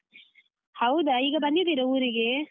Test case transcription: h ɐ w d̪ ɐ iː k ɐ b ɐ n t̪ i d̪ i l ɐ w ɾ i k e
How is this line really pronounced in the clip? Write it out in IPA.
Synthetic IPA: h ɐ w d̪ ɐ iː ɡ ɐ b ɐ n d̪ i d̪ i ɾ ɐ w ɾ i ɡ e